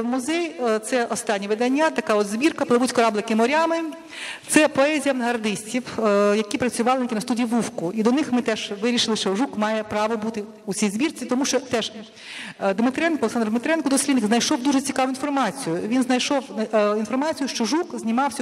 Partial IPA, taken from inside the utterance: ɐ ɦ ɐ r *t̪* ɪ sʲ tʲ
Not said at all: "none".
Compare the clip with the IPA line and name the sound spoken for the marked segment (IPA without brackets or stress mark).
d̪